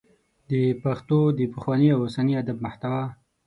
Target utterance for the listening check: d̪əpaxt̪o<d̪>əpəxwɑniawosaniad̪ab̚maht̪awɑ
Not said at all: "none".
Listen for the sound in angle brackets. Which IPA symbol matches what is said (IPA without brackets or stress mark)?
d̪